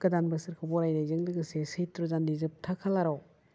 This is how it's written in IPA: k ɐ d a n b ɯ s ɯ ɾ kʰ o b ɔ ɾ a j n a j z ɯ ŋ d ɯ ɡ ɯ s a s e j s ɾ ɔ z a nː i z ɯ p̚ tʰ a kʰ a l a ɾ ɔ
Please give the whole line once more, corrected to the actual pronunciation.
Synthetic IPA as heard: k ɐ d a n b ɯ s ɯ ɾ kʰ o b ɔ ɾ a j n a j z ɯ ŋ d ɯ ɡ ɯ s e s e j t ɾ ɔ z a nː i z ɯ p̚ tʰ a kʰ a l a ɾ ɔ